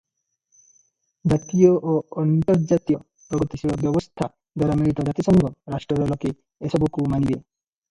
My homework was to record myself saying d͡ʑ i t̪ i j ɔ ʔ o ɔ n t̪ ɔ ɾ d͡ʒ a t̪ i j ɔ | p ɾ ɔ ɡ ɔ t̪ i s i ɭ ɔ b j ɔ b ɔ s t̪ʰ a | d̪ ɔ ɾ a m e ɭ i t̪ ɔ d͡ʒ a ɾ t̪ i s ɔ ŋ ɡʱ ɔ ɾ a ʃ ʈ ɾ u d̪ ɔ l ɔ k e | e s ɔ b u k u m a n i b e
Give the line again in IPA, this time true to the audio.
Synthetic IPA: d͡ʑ a t̪ i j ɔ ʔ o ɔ n t̪ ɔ ɾ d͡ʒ a t̪ i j ɔ | p ɾ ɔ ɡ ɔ t̪ i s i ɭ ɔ b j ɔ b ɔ s t̪ʰ a | d̪ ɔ ɾ a m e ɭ i t̪ ɔ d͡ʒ a t̪ i s ɔ ŋ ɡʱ ɔ ɾ a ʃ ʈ ɾ ɔ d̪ ɔ l ɔ k e | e s ɔ b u k u m a n i b e